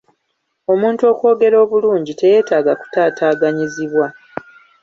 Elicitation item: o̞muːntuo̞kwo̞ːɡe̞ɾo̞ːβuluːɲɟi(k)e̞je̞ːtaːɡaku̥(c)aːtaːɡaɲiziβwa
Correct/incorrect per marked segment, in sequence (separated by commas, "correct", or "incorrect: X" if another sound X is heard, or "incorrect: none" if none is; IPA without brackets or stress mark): incorrect: t, incorrect: t